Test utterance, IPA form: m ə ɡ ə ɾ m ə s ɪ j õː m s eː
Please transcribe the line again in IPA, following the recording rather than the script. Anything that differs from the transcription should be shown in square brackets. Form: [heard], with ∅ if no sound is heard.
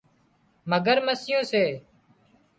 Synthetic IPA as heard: m ə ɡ ə ɾ m ə s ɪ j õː [∅] s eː